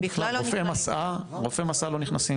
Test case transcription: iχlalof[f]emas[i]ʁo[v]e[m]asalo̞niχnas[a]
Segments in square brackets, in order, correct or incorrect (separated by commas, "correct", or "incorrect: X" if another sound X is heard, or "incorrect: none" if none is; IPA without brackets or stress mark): correct, incorrect: a, incorrect: f, correct, incorrect: i